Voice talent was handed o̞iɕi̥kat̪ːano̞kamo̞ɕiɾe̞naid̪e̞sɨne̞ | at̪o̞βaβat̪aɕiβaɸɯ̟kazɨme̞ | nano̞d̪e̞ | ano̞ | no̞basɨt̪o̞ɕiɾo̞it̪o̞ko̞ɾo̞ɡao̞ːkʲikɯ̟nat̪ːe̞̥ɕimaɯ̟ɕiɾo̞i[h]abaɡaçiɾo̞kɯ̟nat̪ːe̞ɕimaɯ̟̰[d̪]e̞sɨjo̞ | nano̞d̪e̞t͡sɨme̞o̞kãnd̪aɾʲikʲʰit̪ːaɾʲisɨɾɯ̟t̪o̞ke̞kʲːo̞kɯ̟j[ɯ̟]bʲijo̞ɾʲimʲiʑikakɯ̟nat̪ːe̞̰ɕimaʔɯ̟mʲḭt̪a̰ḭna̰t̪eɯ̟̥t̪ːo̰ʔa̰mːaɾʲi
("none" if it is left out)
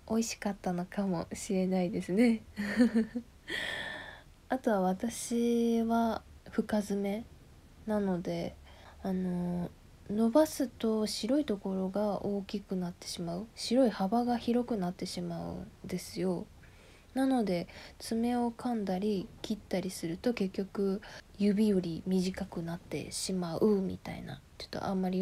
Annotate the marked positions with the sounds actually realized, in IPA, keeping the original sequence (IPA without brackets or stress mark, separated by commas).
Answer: h, d̪, ɯ̟